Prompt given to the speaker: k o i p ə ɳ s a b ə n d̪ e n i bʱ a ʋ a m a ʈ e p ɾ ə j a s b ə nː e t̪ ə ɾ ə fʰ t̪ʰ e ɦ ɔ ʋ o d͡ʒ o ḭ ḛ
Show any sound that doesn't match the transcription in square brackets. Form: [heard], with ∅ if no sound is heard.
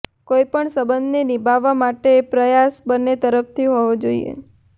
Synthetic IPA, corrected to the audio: k o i p ə ɳ s [ə] b ə n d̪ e n i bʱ a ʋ a m a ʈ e p ɾ ə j a s b ə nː e t̪ ə ɾ ə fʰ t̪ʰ [i] ɦ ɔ ʋ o d͡ʒ o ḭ ḛ